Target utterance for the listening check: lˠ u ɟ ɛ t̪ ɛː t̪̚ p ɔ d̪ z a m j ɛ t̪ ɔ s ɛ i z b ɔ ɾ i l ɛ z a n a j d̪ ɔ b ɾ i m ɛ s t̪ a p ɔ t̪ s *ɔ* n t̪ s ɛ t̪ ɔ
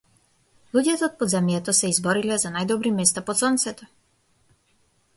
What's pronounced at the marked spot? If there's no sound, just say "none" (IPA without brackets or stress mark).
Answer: ɔ